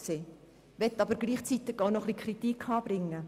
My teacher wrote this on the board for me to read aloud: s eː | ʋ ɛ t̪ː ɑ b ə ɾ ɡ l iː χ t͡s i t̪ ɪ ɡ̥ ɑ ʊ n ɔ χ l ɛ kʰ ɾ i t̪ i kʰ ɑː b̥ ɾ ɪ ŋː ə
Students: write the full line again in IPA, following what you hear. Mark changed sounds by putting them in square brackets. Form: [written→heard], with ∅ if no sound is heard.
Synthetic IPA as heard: s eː | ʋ ɛ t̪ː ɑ b ə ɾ ɡ l iː χ t͡s i t̪ ɪ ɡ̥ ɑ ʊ n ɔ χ l [ɛ→i] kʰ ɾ i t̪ i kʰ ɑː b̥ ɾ ɪ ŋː ə